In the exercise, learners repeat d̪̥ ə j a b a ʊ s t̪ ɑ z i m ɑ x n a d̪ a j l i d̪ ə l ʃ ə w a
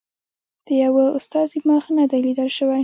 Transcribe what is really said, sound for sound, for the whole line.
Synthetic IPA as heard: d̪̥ ə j a w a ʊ s t̪ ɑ z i m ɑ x n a d̪ a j l i d̪ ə l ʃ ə w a